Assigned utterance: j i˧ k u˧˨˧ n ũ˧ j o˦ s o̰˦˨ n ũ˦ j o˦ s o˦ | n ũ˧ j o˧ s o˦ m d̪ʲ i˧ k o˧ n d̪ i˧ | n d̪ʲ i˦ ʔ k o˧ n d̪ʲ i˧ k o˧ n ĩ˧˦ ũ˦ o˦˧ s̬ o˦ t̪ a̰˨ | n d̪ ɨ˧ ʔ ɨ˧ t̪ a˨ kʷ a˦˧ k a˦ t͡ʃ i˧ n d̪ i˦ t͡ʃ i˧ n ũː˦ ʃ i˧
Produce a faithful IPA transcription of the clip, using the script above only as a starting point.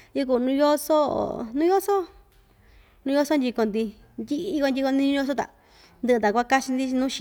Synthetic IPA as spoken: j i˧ k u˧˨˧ n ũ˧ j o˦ s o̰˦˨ n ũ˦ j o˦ s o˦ | n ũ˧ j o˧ s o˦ n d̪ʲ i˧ k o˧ n d̪ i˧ | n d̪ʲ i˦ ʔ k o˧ n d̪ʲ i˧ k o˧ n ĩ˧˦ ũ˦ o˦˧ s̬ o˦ t̪ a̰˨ | n d̪ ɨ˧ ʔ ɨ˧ t̪ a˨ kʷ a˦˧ k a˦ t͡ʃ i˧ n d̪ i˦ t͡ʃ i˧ n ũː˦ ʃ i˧